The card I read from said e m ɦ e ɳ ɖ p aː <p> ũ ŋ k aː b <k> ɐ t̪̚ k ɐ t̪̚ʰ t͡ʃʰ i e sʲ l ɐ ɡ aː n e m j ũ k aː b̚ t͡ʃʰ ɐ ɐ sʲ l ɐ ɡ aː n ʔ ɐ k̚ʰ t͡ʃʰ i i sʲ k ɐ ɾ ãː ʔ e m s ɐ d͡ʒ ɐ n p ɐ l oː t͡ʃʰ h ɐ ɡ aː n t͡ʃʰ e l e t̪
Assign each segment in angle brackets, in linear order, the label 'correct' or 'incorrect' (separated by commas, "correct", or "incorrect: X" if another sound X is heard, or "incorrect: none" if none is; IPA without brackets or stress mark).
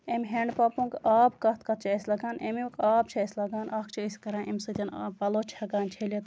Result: correct, correct